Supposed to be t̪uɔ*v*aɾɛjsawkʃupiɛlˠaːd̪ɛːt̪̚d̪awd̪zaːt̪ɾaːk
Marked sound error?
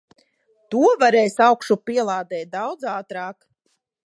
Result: no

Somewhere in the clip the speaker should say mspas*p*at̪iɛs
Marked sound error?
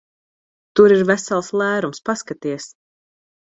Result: yes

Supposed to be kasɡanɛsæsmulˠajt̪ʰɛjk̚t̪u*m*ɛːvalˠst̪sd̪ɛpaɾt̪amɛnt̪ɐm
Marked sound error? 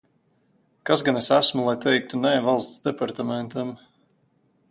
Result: yes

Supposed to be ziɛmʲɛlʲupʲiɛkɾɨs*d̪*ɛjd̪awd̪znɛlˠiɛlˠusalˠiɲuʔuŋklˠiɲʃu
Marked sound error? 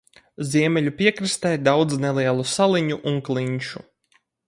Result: yes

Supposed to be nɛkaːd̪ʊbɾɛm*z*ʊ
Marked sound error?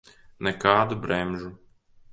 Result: yes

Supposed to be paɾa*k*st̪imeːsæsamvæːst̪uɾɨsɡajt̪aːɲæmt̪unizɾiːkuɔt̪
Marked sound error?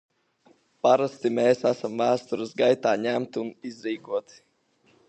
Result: yes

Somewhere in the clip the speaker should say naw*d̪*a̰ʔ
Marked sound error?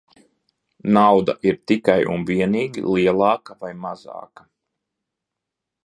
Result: no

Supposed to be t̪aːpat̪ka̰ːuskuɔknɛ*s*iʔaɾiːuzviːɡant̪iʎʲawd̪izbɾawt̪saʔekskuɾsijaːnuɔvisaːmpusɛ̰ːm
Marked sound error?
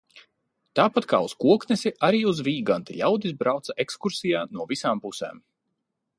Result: no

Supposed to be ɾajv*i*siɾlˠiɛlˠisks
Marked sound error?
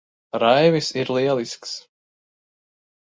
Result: no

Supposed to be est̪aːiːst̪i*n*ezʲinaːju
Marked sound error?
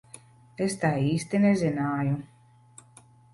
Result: no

